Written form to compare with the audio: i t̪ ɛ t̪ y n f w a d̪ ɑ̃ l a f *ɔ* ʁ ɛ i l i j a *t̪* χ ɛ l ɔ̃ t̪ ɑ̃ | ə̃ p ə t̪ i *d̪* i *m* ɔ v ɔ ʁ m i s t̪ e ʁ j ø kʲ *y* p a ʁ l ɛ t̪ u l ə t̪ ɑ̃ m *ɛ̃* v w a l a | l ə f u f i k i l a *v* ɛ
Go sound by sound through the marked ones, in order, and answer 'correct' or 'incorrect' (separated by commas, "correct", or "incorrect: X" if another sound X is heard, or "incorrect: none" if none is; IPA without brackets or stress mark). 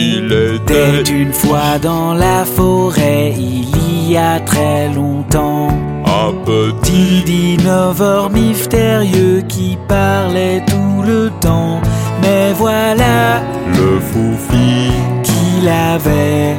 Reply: correct, correct, correct, incorrect: n, incorrect: i, incorrect: ɛ, correct